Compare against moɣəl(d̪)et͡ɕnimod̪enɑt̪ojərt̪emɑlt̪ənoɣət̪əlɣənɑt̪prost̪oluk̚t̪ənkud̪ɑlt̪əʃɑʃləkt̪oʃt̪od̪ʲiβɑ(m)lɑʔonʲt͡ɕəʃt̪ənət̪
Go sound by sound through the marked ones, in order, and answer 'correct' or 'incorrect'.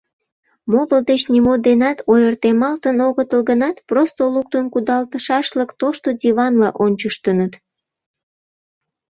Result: correct, incorrect: n

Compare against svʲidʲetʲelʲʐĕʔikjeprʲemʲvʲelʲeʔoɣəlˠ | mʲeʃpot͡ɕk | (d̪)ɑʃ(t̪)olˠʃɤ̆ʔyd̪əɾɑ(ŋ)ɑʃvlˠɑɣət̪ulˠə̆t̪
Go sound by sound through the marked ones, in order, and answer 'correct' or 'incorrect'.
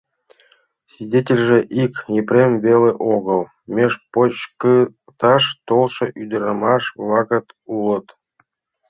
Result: incorrect: t̪, correct, incorrect: m

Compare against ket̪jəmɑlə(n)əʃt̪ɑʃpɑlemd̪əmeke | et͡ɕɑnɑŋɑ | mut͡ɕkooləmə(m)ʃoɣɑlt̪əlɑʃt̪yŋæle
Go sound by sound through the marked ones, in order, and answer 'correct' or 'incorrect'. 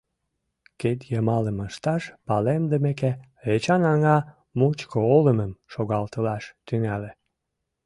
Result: incorrect: m, correct

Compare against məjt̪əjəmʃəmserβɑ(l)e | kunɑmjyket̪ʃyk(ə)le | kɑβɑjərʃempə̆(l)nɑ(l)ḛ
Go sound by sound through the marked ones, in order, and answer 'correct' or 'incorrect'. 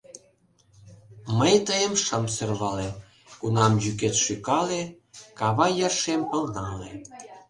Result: correct, incorrect: ɑ, correct, correct

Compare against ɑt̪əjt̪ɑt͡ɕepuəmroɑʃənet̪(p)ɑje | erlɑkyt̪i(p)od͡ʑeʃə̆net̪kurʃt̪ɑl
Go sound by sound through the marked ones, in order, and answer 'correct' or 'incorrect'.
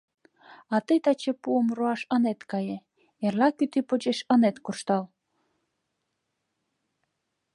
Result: incorrect: k, correct

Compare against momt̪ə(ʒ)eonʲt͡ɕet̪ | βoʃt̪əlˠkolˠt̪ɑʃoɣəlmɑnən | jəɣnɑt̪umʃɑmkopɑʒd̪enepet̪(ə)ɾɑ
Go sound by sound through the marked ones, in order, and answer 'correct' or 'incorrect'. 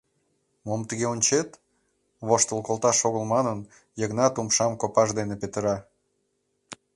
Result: incorrect: ɣ, correct

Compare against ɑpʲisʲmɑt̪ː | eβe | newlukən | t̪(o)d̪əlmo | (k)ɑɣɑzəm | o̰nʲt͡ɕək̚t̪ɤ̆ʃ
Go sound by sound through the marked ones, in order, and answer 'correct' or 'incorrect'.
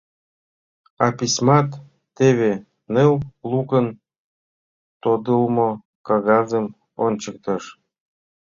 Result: correct, correct

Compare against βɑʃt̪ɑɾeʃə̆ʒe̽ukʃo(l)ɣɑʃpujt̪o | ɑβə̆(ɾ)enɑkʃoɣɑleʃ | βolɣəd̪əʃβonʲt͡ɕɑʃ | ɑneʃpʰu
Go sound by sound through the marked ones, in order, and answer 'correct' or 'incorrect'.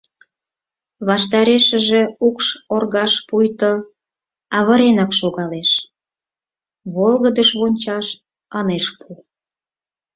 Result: incorrect: r, correct

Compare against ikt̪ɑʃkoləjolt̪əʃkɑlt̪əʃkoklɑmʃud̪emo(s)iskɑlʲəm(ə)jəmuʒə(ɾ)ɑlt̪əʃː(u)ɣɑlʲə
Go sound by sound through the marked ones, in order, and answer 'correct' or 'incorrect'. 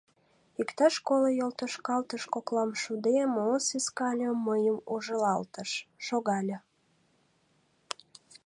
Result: correct, correct, incorrect: l, incorrect: o

